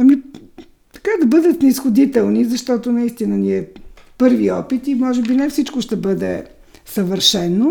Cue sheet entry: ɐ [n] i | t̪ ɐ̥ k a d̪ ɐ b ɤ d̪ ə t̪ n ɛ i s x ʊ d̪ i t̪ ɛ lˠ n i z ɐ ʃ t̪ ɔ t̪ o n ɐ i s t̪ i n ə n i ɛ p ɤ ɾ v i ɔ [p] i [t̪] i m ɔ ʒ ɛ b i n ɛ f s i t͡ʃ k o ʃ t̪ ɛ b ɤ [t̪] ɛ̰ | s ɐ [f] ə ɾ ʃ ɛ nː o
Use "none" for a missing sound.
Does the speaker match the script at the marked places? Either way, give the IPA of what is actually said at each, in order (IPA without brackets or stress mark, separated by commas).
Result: m, p, t̪, d̪, v